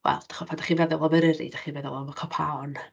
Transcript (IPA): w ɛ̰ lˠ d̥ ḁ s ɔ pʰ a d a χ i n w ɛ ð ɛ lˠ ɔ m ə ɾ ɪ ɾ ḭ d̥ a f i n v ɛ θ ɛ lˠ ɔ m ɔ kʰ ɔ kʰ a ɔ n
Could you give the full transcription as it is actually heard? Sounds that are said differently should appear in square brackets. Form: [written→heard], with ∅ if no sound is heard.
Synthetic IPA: w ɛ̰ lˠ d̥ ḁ [s→χ] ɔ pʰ a d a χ i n [w→v] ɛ ð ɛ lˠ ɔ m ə ɾ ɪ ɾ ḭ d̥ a [f→χ] i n v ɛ [θ→ð] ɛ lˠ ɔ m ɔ kʰ ɔ [kʰ→pʰ] a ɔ n

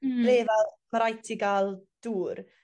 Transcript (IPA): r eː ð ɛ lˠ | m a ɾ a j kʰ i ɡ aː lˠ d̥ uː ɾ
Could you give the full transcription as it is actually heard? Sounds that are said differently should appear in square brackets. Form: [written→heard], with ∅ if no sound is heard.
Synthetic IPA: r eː [ð→v] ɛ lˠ | m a ɾ a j [kʰ→tʰ] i ɡ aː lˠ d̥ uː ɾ

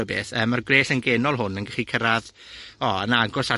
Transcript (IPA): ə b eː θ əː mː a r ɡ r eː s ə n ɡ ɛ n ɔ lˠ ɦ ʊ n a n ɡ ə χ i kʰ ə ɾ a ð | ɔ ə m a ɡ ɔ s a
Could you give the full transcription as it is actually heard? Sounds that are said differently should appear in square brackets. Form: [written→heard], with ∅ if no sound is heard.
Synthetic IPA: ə b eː θ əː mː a r ɡ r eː s ə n ɡ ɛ n ɔ lˠ ɦ ʊ n [a→ə] n ɡ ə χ i kʰ ə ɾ a ð | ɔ ə [m→n] a ɡ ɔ s a

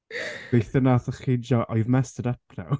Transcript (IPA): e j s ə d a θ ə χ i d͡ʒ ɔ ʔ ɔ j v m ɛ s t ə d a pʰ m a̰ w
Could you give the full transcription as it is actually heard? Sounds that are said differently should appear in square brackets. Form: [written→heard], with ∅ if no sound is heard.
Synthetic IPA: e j [s→θ] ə [d→n] a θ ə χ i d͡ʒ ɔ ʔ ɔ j v m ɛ s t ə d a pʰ [m→n] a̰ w

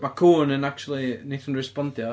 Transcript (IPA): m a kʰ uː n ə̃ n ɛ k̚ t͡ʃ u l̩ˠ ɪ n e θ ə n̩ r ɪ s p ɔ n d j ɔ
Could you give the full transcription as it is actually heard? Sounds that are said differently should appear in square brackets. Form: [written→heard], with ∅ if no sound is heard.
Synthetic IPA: m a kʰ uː n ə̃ n [ɛ→a] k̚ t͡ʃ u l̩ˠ [ɪ→i] n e θ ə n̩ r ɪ s p ɔ n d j ɔ

